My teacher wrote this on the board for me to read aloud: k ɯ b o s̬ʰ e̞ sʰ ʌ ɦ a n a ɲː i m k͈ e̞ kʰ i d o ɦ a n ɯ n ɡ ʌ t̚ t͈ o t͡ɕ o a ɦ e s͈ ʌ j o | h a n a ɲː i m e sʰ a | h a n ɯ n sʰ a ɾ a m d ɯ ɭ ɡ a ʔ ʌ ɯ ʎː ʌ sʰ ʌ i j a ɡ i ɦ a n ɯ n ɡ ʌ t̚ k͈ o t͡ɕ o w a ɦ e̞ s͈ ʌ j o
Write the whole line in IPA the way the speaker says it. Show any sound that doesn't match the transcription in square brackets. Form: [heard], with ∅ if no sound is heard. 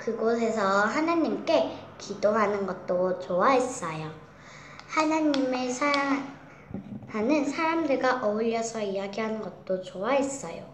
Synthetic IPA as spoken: k ɯ [ɡ] o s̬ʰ e̞ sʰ ʌ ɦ a n a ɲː i m k͈ e̞ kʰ i d o ɦ a n ɯ n ɡ ʌ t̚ t͈ o t͡ɕ o a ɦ e s͈ ʌ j o | h a n a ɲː i m e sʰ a | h a n ɯ n sʰ a ɾ a m d ɯ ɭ ɡ a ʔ ʌ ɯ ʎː ʌ sʰ ʌ i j a ɡ i ɦ a n ɯ n ɡ ʌ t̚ [t͈] o t͡ɕ o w a ɦ e̞ s͈ ʌ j o